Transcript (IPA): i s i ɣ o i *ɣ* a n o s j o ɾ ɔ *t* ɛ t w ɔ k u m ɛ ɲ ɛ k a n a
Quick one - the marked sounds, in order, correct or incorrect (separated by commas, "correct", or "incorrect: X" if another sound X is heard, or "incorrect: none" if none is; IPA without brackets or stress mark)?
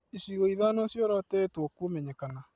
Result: incorrect: ð, correct